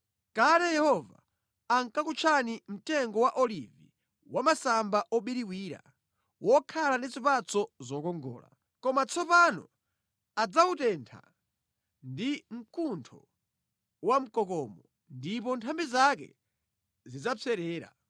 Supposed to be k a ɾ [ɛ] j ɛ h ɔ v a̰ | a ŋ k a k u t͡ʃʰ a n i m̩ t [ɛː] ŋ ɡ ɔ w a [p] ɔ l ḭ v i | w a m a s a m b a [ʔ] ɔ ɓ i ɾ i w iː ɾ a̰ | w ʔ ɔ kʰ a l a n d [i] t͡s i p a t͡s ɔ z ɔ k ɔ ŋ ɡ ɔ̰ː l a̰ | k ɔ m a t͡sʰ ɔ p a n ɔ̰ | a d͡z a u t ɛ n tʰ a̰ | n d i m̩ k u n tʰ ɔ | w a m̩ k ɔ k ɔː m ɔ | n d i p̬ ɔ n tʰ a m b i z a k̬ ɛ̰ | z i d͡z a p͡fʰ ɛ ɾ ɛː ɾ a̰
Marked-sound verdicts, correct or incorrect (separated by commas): correct, incorrect, incorrect, correct, correct